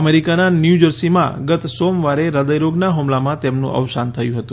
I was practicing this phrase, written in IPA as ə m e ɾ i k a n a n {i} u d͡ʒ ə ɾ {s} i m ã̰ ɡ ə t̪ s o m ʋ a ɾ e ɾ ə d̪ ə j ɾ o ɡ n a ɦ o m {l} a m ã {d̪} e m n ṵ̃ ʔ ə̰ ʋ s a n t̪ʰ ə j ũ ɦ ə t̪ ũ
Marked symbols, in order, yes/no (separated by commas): no, yes, yes, no